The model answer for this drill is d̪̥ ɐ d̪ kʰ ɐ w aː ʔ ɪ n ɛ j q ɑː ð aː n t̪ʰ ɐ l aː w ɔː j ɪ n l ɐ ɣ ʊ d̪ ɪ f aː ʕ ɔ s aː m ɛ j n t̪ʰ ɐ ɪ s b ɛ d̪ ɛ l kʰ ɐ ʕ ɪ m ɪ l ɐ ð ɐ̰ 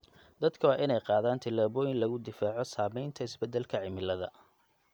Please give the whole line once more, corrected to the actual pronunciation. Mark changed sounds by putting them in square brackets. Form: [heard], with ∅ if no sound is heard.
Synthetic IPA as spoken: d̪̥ ɐ d̪ kʰ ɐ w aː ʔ ɪ n ɛ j q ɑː ð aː n t̪ʰ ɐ l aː [β] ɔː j ɪ n l ɐ ɣ ʊ d̪ ɪ f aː ʕ ɔ s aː m ɛ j n t̪ʰ ɐ ɪ s b ɛ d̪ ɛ l kʰ ɐ ʕ ɪ m ɪ l ɐ ð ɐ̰